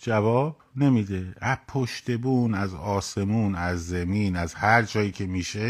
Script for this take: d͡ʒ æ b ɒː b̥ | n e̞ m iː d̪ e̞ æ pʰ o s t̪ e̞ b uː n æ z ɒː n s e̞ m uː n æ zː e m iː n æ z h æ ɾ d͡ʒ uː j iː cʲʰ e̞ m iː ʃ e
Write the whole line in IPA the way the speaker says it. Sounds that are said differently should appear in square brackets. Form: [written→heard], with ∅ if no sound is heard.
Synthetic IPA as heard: d͡ʒ æ [b→v] ɒː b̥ | n e̞ m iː d̪ e̞ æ pʰ o [s→ʃ] t̪ e̞ b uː n æ z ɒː [n→∅] s e̞ m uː n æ zː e m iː n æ z h æ ɾ d͡ʒ [uː→ɒː] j iː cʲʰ e̞ m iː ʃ e